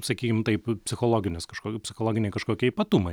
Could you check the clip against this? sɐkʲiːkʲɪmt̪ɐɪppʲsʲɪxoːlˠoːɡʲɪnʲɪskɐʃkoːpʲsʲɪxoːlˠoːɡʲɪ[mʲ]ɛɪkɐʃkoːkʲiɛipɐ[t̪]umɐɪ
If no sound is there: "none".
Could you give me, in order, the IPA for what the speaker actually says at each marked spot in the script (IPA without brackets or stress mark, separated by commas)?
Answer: nʲ, t̪